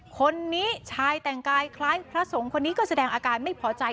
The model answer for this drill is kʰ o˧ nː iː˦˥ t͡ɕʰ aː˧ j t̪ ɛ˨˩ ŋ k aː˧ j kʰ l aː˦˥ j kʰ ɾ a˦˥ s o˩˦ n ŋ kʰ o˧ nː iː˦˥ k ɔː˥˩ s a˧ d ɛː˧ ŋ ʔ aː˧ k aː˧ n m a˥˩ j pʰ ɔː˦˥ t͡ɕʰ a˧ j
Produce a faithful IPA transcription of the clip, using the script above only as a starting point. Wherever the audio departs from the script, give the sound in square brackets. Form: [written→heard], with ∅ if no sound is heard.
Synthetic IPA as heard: kʰ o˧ nː iː˦˥ t͡ɕʰ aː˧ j t̪ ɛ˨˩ ŋ k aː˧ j kʰ l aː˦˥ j [kʰ→pʰ] ɾ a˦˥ s o˩˦ [n→∅] ŋ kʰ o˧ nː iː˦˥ k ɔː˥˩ s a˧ d ɛː˧ ŋ ʔ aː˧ k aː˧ n m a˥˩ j pʰ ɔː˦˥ [t͡ɕʰ→t͡ɕ] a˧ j